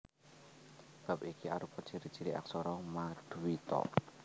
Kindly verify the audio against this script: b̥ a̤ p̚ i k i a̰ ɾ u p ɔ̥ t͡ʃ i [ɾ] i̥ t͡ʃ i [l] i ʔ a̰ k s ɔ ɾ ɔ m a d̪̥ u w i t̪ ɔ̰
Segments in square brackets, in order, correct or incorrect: correct, incorrect

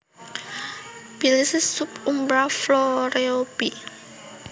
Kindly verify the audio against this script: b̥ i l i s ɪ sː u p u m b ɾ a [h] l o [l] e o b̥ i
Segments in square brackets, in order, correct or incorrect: incorrect, incorrect

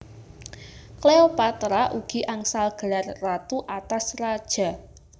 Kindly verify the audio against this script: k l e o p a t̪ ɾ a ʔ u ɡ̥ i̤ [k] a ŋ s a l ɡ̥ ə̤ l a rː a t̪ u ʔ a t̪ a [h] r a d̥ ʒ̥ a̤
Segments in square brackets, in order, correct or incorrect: incorrect, incorrect

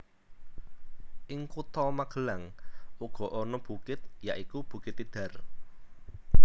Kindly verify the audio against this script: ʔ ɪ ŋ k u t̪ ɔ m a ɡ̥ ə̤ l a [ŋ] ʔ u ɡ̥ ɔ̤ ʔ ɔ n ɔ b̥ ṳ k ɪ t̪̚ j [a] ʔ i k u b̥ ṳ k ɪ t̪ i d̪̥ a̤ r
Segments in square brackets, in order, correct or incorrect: correct, correct

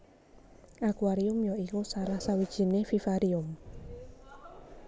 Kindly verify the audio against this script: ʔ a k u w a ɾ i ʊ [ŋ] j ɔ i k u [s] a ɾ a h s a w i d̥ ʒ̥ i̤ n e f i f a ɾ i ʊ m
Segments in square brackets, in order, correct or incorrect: incorrect, correct

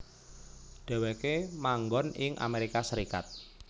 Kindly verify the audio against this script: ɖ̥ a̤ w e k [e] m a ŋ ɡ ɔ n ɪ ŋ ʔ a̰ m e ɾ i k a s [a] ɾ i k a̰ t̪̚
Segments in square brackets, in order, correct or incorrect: correct, incorrect

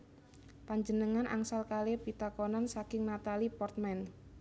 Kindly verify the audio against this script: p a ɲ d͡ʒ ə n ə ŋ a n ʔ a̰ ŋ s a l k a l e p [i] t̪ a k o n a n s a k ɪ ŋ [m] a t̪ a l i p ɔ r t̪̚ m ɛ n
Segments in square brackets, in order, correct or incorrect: correct, incorrect

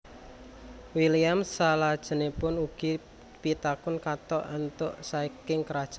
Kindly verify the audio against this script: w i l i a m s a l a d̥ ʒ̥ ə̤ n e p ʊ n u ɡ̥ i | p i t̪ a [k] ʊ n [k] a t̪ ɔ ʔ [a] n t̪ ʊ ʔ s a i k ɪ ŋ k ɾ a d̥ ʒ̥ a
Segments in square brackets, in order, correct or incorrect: correct, correct, correct

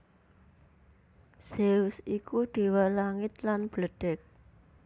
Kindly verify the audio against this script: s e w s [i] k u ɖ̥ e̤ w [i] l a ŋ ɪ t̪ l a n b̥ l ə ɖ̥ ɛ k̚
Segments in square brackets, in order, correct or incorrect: correct, incorrect

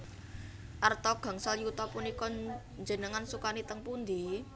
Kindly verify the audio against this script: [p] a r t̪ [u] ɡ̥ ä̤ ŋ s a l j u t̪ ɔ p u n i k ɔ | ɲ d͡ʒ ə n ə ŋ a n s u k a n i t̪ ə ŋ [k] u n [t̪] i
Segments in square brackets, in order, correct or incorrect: incorrect, incorrect, incorrect, incorrect

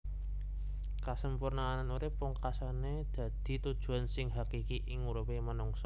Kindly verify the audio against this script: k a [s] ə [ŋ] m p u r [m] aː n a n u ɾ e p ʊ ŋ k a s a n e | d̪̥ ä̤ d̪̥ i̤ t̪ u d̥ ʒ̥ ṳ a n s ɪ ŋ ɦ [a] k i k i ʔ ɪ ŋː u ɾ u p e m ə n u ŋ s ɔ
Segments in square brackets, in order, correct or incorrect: correct, incorrect, incorrect, correct

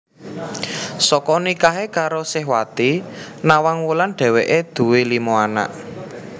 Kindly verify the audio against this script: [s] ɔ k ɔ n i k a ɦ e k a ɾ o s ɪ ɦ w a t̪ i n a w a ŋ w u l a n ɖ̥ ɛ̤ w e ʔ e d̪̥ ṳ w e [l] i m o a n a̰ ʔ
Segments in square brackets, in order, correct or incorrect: correct, correct

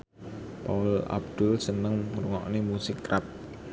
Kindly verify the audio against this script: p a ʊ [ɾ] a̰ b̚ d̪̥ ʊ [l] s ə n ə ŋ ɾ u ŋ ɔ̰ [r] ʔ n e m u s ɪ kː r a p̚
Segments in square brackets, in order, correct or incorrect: incorrect, correct, incorrect

